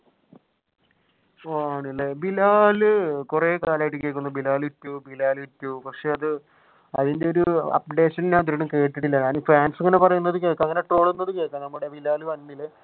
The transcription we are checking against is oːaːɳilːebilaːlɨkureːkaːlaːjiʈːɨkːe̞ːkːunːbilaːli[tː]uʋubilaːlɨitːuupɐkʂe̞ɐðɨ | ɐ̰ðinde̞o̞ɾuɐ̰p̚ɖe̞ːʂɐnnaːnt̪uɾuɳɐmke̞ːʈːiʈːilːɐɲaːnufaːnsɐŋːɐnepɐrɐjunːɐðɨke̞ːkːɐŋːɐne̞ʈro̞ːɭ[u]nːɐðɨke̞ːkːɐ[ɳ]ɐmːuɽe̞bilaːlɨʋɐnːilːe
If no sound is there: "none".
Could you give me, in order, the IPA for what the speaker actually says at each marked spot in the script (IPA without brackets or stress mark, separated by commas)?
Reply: tː, u, n